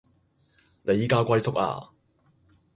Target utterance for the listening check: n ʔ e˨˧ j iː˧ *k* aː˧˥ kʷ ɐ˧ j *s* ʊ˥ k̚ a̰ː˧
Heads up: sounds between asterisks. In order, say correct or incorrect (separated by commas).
correct, correct